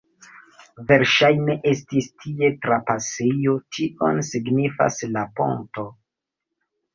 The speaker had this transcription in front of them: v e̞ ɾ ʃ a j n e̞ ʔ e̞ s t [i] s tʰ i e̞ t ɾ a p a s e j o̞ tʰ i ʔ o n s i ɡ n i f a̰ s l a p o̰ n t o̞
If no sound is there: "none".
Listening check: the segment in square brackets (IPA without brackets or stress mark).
i